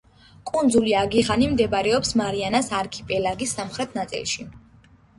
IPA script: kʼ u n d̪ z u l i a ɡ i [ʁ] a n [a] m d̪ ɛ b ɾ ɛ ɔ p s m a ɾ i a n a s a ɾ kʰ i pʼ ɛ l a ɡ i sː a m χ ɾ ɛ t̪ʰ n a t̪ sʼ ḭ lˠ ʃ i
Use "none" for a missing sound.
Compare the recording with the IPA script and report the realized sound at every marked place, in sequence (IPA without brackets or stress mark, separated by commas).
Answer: ʁ, i